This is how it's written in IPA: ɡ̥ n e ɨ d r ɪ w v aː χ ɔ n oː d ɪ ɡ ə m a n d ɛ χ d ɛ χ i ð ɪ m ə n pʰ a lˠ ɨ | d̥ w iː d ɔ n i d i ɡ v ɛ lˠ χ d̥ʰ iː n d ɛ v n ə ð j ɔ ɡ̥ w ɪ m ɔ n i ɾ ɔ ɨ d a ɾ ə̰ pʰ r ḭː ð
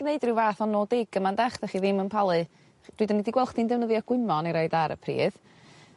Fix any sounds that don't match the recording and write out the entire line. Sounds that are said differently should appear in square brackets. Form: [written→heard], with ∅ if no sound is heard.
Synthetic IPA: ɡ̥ n e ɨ d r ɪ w v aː [χ→θ] ɔ n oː d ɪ ɡ ə m a n d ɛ χ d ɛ χ i ð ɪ m ə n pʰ a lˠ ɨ | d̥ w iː d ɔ n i d i ɡ [v→w] ɛ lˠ χ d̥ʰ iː n d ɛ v n ə ð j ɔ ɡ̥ w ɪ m ɔ n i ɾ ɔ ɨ d a ɾ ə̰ pʰ r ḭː ð